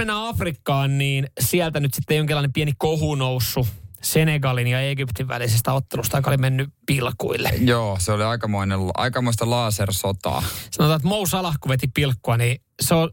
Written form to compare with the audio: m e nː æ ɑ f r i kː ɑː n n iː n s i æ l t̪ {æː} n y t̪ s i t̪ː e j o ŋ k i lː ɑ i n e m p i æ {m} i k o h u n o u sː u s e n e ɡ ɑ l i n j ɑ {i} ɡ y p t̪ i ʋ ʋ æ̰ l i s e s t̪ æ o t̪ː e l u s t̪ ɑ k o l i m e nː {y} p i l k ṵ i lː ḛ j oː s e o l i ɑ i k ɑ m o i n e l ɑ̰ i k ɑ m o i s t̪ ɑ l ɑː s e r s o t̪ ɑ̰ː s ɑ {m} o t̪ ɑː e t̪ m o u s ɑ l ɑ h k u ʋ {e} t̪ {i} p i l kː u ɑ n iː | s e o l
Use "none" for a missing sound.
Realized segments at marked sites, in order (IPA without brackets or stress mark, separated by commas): æ, n, e, y, n, e, i